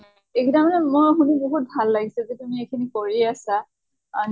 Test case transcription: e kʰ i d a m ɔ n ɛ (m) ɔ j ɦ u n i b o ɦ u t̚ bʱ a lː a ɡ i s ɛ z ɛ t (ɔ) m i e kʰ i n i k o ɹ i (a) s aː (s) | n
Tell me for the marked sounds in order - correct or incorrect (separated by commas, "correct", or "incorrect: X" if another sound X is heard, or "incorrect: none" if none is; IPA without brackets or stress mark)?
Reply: correct, incorrect: u, correct, incorrect: none